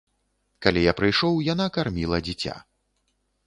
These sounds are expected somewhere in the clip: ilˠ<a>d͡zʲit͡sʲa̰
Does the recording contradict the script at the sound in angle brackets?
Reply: yes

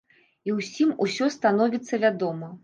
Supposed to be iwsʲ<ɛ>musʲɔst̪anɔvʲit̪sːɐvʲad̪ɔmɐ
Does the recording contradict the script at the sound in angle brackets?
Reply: yes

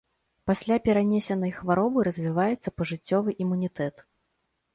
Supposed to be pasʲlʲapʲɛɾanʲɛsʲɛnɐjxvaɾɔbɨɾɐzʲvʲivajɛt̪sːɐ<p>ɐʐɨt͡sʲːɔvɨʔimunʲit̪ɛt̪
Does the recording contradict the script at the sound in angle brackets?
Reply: no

